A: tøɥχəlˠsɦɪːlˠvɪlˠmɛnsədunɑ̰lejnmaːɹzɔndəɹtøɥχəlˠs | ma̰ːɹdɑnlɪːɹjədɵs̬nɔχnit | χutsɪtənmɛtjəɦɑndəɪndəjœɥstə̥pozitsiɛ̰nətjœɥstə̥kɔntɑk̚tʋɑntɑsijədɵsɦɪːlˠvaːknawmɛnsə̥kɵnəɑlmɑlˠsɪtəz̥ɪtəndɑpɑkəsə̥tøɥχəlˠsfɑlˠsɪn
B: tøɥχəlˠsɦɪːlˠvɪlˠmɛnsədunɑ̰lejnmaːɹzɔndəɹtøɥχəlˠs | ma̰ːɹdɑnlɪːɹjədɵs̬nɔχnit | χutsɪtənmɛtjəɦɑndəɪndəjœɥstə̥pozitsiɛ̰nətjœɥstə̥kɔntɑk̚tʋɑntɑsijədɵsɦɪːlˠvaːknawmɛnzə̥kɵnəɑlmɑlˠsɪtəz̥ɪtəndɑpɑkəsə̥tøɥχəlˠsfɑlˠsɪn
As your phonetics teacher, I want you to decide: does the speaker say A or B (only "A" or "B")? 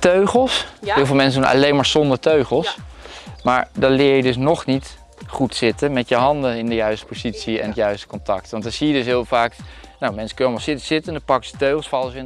A